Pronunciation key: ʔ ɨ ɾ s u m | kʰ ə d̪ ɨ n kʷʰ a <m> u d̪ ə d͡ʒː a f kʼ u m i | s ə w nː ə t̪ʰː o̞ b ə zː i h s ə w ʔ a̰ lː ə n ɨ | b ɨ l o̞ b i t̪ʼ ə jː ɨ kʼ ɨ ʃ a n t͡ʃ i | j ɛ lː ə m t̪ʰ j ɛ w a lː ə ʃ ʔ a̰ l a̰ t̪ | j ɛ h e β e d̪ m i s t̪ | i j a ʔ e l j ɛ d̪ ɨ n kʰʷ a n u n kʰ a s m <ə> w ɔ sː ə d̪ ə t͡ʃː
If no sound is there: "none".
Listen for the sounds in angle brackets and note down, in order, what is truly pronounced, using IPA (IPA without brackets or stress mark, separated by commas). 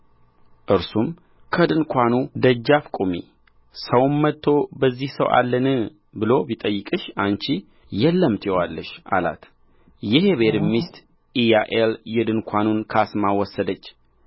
n, a